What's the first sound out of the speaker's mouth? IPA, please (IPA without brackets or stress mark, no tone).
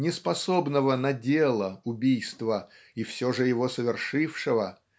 nʲ